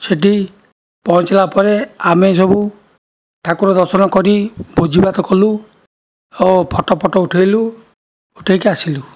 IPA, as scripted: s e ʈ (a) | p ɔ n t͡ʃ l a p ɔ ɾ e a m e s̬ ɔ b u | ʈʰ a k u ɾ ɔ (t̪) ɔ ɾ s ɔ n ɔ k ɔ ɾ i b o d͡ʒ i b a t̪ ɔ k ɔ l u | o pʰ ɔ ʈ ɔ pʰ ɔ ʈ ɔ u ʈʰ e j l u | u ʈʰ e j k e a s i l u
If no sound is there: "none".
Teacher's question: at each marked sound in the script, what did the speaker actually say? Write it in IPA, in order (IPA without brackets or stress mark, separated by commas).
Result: i, d̪